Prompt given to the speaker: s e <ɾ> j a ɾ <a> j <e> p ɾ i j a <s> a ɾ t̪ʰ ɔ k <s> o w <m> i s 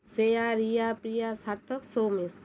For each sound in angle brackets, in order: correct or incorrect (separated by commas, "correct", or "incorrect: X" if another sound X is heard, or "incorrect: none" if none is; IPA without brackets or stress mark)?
incorrect: none, incorrect: i, incorrect: a, correct, correct, correct